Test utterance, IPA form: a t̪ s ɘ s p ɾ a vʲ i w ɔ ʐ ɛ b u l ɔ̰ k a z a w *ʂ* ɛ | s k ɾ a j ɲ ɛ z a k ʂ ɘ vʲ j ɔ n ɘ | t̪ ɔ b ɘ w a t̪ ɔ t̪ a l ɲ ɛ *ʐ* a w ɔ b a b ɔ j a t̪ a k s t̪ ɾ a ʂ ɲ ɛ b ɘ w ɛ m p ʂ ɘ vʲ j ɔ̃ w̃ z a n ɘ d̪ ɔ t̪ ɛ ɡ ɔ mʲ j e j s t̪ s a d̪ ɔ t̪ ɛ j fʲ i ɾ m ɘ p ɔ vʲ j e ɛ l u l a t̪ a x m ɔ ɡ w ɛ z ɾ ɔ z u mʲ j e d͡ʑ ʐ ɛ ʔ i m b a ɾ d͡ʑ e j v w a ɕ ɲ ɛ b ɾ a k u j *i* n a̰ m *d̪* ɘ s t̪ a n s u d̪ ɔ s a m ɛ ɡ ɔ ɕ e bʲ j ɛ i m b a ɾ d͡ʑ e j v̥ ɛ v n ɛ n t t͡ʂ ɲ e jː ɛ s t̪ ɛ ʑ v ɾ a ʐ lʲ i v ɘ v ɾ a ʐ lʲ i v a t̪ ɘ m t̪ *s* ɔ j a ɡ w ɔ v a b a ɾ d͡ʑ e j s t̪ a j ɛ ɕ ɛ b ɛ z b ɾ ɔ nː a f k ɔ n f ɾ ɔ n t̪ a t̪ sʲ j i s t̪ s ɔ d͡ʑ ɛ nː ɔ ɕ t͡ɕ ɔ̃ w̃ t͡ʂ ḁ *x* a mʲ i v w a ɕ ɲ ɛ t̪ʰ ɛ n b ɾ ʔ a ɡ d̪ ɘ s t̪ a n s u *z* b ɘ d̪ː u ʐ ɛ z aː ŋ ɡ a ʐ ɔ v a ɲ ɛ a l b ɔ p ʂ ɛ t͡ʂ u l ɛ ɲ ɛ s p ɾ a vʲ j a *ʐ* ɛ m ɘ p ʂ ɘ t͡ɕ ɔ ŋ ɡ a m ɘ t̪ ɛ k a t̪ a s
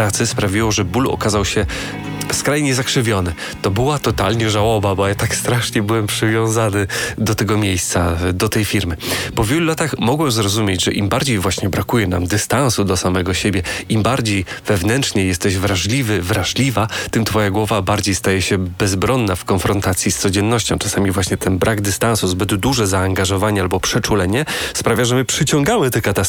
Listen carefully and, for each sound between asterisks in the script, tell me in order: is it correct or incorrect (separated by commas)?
incorrect, correct, incorrect, correct, incorrect, incorrect, correct, correct